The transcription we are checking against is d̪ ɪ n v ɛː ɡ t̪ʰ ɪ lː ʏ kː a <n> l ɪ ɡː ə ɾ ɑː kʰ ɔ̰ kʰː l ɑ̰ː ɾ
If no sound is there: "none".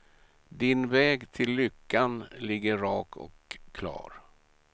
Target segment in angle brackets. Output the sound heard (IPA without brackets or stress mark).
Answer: n